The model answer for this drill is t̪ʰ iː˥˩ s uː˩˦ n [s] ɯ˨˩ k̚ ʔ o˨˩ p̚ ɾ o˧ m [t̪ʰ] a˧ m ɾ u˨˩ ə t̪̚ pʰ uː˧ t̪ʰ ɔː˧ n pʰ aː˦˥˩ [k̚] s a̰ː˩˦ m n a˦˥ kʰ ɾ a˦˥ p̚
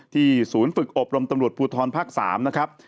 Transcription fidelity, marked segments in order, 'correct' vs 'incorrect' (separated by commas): incorrect, incorrect, correct